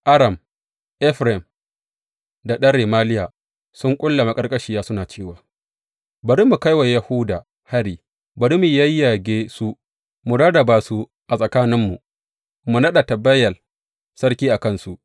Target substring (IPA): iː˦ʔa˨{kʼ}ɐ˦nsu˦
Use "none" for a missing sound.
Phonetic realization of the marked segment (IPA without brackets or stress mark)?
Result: k